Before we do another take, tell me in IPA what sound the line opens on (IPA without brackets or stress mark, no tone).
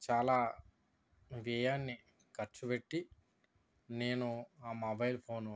t͡ʃ